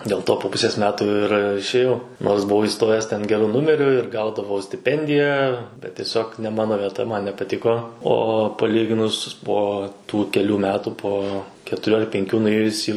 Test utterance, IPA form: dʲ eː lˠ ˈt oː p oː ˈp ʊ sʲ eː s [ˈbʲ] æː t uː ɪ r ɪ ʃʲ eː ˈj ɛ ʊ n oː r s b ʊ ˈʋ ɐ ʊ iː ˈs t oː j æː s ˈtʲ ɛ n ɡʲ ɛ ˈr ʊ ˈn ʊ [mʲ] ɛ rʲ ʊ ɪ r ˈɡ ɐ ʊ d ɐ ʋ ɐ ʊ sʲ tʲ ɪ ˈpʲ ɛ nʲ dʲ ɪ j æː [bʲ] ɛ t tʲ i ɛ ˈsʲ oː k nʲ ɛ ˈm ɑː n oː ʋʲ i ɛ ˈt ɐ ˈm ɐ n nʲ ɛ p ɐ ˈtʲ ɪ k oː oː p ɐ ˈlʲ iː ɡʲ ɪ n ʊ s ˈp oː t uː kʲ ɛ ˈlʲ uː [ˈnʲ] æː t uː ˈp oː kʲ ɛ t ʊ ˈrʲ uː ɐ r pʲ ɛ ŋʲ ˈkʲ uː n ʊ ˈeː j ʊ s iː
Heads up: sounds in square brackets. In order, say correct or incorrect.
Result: incorrect: mʲ, correct, correct, incorrect: mʲ

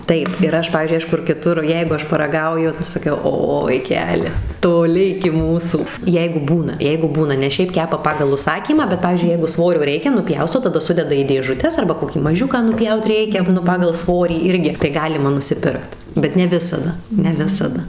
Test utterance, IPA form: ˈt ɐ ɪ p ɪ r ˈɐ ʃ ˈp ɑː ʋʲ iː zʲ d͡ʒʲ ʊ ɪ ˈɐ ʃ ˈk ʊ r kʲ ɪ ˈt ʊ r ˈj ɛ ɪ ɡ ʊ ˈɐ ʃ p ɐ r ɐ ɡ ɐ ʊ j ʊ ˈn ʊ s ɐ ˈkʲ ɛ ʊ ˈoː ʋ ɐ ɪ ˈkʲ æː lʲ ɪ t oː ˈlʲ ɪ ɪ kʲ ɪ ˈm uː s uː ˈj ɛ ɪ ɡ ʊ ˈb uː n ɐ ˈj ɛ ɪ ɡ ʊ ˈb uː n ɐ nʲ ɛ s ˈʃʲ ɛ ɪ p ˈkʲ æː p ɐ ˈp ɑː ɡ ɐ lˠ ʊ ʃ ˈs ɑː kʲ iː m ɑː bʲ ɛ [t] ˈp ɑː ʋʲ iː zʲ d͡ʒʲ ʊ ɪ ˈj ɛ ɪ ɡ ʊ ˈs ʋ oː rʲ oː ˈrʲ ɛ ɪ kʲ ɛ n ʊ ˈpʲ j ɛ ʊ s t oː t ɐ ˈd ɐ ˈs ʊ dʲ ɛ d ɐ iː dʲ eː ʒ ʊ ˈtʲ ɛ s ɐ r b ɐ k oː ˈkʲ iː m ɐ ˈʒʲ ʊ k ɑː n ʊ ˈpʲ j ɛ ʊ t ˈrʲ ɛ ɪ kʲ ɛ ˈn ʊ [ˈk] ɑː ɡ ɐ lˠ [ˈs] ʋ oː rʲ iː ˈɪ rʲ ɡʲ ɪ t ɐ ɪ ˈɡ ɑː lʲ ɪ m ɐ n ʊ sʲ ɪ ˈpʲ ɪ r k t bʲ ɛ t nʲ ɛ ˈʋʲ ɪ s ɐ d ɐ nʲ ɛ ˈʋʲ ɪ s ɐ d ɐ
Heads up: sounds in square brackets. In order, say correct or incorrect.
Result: correct, incorrect: p, correct

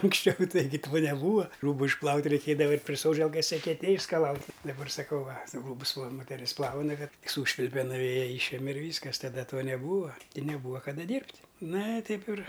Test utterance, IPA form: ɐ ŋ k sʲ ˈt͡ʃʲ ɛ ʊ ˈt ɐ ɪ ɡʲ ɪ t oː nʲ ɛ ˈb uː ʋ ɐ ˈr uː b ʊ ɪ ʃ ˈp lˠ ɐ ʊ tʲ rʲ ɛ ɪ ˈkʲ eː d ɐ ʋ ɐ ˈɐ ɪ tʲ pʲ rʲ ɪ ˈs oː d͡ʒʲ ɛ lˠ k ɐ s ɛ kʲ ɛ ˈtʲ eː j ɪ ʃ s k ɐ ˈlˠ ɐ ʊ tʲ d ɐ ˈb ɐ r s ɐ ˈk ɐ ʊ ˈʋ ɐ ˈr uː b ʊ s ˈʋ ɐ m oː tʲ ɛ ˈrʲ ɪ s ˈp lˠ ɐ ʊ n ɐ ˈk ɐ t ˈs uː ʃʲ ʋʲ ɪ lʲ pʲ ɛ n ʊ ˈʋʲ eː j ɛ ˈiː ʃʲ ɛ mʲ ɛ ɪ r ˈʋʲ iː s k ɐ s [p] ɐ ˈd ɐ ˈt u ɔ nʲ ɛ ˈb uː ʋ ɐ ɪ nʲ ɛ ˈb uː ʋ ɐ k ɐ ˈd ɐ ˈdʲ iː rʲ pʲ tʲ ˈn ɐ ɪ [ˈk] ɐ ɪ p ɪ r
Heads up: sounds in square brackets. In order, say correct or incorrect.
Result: incorrect: t, incorrect: t

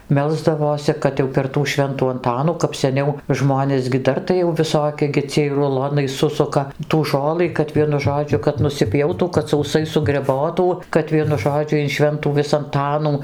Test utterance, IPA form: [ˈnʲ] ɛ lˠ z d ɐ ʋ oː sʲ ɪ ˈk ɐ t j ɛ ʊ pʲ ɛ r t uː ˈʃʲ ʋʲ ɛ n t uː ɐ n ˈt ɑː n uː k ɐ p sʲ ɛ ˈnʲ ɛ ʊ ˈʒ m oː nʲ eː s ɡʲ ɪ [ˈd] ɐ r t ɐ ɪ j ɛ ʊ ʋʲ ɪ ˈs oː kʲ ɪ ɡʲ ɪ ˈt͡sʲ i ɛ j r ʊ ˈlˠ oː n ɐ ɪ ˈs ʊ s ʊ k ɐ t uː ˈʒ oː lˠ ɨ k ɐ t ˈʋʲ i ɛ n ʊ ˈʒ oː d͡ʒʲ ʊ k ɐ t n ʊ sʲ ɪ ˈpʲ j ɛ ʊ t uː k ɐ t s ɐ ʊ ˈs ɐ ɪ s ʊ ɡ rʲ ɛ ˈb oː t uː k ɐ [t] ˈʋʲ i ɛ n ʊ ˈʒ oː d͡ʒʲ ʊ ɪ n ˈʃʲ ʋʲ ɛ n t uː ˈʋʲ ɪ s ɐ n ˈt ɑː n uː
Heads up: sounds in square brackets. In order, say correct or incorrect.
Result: incorrect: mʲ, correct, correct

